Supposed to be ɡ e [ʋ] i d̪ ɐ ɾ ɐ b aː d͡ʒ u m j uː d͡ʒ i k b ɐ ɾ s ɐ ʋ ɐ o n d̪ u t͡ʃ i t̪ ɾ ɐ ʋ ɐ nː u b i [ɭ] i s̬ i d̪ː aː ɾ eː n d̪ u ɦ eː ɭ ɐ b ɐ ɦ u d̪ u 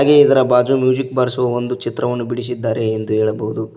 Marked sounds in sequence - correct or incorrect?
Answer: incorrect: none, incorrect: ɽ

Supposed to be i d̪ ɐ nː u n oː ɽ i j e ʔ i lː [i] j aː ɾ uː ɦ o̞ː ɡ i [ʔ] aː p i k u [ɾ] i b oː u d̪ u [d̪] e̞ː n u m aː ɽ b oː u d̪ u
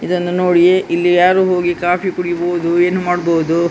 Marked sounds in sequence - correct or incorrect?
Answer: correct, incorrect: k, incorrect: ɽ, incorrect: none

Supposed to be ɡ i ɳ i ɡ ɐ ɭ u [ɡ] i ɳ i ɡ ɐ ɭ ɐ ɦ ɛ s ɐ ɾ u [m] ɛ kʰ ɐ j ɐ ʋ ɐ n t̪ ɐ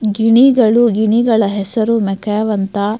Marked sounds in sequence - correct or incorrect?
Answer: correct, correct

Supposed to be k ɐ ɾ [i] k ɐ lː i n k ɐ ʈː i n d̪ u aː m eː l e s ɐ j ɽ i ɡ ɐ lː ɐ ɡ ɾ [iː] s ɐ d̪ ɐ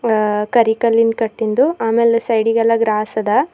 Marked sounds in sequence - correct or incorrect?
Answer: correct, incorrect: aː

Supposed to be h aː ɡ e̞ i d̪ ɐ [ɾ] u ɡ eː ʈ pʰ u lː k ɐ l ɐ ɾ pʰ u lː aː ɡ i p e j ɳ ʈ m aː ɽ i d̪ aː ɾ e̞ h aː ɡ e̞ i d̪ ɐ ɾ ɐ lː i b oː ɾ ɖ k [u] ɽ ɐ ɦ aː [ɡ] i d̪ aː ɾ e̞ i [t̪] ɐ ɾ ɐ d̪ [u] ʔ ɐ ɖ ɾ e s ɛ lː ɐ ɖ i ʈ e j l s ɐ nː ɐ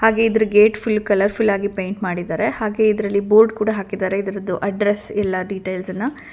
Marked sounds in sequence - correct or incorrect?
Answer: correct, incorrect: uː, incorrect: k, incorrect: d̪, correct

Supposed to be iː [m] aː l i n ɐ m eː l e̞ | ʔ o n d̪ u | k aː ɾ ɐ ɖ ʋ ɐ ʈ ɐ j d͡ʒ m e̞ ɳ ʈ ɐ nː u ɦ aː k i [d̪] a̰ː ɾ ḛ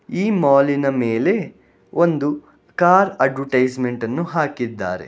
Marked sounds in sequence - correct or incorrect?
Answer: correct, incorrect: d̪ː

